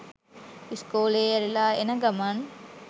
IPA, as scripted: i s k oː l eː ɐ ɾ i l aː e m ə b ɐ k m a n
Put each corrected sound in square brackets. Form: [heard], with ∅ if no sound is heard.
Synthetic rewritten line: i s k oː l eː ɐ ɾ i l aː e [n] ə [ɡ] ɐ [∅] m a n